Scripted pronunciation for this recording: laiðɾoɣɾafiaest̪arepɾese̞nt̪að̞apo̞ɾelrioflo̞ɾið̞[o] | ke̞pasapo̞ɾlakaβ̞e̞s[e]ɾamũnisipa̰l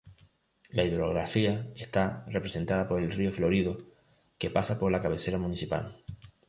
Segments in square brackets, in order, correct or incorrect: correct, correct

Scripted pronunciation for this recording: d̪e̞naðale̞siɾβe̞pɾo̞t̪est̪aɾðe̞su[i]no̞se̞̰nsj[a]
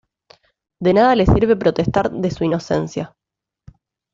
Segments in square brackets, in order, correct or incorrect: correct, correct

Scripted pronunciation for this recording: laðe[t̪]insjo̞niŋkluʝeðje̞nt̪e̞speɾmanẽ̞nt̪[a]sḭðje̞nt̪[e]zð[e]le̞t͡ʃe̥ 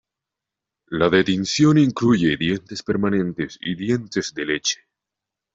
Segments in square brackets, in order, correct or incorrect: correct, incorrect: e, correct, correct

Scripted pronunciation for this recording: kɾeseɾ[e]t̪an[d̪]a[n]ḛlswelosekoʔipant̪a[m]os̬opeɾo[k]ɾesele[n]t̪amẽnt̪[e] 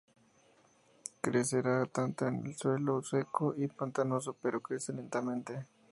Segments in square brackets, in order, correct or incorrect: incorrect: a, incorrect: t̪, correct, incorrect: n, correct, correct, correct

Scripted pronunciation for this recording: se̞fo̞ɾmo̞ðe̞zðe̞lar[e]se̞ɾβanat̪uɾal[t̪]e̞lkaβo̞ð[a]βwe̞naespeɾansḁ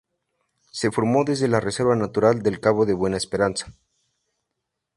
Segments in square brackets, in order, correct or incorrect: correct, incorrect: d̪, incorrect: e

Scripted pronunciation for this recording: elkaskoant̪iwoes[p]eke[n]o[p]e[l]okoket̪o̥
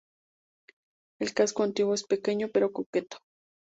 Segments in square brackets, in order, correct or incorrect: correct, incorrect: ɲ, correct, incorrect: ɾ

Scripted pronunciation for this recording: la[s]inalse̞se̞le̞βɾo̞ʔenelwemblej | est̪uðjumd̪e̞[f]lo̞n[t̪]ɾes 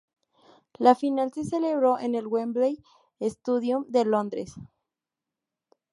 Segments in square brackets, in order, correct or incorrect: incorrect: f, incorrect: none, incorrect: d̪

